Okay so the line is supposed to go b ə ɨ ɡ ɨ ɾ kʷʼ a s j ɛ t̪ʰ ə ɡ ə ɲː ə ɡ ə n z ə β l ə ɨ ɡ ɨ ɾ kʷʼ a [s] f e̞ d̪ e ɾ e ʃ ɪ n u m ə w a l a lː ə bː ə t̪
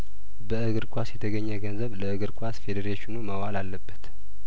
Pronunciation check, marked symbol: correct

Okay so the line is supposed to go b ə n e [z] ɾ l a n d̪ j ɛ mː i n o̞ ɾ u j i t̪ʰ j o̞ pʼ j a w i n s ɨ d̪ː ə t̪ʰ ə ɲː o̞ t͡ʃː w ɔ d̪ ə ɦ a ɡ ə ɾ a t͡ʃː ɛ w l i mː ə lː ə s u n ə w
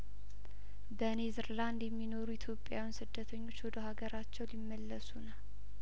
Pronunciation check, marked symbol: correct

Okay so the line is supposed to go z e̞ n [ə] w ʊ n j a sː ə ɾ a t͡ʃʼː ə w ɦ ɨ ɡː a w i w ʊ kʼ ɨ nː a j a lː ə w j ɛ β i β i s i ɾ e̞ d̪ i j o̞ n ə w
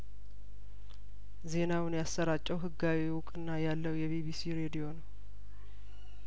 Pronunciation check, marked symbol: incorrect: a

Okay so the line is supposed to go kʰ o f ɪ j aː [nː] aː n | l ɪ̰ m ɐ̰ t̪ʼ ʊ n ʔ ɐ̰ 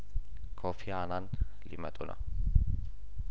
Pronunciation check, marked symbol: incorrect: n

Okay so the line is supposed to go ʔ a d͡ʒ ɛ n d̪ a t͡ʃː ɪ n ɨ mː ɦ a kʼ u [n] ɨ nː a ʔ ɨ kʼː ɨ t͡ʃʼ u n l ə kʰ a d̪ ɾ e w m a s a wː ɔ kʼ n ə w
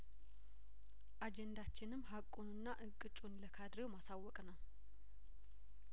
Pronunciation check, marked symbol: correct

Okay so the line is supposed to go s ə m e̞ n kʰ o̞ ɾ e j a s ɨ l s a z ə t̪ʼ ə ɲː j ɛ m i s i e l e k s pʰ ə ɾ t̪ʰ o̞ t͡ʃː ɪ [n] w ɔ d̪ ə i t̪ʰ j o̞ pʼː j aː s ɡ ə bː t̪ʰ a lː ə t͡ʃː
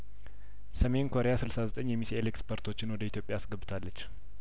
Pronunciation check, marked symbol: correct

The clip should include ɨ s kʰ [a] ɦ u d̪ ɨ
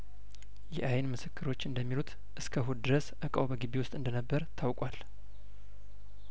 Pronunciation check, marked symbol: incorrect: ə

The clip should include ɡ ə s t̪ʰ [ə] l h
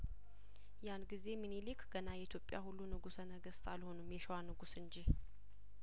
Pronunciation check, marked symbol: incorrect: a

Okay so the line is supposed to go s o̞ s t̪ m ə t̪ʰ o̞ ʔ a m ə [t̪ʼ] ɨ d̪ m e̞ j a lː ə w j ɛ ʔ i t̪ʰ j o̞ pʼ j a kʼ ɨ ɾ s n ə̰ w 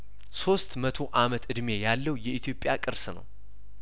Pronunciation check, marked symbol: incorrect: t̪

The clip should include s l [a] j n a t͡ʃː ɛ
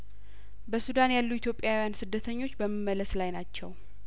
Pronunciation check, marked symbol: correct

